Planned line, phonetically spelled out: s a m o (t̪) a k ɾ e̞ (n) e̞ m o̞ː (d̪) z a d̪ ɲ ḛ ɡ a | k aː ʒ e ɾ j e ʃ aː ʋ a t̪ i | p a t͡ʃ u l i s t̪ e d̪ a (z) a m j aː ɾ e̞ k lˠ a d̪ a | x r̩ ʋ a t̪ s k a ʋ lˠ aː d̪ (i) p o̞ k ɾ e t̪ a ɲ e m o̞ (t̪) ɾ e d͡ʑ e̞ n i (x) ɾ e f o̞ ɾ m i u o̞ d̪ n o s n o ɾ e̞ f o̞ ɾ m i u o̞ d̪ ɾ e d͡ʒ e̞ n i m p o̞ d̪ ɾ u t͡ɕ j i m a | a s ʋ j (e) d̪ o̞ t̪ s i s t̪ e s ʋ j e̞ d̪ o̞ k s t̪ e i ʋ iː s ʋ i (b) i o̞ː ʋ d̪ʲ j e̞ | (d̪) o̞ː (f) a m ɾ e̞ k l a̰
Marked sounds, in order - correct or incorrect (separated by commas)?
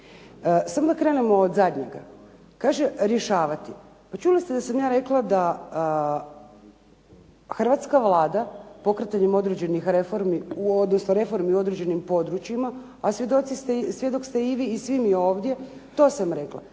incorrect, correct, correct, incorrect, incorrect, incorrect, correct, correct, incorrect, incorrect, incorrect